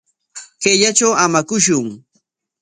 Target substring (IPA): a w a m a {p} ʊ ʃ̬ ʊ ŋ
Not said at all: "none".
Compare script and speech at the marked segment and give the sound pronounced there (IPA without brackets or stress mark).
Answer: k